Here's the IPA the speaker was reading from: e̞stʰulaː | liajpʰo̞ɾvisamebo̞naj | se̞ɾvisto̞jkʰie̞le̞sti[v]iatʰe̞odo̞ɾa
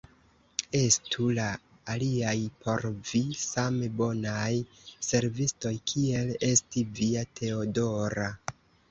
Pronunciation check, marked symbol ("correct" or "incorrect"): correct